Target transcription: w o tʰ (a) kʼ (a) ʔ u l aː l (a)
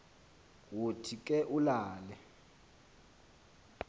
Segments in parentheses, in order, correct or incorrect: incorrect: i, incorrect: ɛ, incorrect: ɛ

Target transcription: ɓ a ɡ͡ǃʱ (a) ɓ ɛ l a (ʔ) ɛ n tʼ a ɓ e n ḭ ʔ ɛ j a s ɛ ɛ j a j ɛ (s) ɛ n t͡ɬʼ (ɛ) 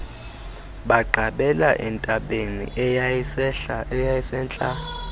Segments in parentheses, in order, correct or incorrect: correct, correct, correct, incorrect: a

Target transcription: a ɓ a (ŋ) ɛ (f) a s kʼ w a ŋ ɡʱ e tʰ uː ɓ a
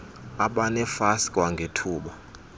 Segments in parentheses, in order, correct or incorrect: incorrect: n, correct

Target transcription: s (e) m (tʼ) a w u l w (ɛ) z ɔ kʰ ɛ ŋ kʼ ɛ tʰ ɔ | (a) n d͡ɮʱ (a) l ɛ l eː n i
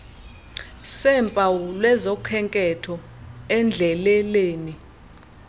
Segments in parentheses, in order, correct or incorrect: incorrect: ɛ, incorrect: pʼ, correct, incorrect: ɛ, incorrect: ɛ

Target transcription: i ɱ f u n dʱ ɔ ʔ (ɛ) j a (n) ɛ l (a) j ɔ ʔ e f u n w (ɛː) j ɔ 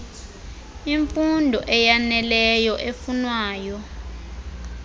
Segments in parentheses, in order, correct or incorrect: correct, correct, incorrect: ɛ, incorrect: aː

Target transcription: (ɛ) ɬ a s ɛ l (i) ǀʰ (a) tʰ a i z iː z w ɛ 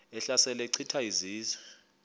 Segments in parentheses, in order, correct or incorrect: correct, incorrect: ɛ, incorrect: i

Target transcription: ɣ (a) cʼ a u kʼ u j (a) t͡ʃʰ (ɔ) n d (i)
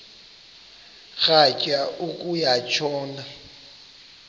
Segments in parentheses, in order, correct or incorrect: correct, correct, incorrect: ɔː, incorrect: a

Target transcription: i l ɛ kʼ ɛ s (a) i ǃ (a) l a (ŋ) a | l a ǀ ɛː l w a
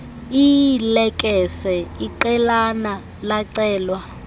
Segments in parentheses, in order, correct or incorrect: incorrect: ɛ, incorrect: ɛ, incorrect: n

